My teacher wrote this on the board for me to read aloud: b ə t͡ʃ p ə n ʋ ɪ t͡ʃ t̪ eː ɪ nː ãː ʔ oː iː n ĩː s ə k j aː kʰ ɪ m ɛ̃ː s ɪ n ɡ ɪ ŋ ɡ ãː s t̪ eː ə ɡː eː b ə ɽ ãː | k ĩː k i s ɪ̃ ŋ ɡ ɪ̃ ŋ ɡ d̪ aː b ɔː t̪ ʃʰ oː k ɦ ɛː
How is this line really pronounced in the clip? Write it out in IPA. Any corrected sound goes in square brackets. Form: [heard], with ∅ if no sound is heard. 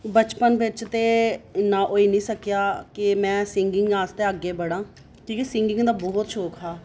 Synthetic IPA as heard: b ə t͡ʃ p ə n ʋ ɪ t͡ʃ t̪ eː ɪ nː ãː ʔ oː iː n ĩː s ə k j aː [k] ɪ m ɛ̃ː s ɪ [ŋ] ɡ ɪ ŋ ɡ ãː s t̪ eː ə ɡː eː b ə ɽ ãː | k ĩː k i s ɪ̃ ŋ ɡ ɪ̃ ŋ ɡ d̪ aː b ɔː t̪ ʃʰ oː k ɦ [aː]